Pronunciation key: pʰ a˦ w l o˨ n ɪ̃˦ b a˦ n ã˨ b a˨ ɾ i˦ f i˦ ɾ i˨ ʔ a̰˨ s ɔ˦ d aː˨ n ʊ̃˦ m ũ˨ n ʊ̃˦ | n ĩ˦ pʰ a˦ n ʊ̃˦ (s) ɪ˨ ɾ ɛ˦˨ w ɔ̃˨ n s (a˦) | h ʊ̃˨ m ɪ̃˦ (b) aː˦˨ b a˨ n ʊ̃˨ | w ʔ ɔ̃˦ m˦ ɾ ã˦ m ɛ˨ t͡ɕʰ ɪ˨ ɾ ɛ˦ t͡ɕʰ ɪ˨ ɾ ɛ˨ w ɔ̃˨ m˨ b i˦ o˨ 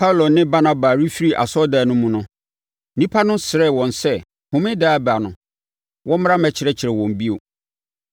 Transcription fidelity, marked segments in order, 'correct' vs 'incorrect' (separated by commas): correct, incorrect, incorrect